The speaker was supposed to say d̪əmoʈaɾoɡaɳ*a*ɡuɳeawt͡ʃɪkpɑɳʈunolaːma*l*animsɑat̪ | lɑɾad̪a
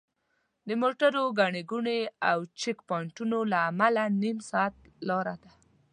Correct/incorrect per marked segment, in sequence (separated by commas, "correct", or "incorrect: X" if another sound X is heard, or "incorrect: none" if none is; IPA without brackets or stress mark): incorrect: e, correct